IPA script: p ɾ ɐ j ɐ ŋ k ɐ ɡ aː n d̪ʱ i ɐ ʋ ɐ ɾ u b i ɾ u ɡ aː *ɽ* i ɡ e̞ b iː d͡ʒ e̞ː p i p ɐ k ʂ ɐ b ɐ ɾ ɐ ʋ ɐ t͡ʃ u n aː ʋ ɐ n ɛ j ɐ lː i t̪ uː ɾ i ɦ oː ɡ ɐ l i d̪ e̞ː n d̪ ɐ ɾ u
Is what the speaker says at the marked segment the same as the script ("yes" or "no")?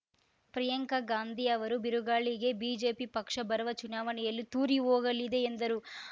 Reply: no